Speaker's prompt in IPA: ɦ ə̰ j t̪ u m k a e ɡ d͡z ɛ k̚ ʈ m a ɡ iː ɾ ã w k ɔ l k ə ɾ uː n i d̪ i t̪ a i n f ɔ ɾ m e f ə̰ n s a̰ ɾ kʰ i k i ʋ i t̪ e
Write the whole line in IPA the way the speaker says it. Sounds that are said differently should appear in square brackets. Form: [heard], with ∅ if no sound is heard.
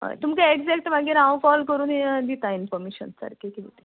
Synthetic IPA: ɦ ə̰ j t̪ u m k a e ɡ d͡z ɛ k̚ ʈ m a ɡ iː ɾ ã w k ɔ l k ə ɾ uː n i d̪ i t̪ a i n f ɔ ɾ m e [ɕ] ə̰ n s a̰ ɾ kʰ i k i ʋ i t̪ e